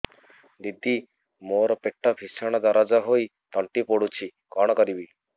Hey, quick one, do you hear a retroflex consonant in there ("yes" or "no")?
yes